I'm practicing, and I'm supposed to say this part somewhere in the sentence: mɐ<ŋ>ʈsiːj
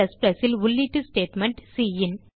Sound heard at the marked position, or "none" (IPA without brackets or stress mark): ɳ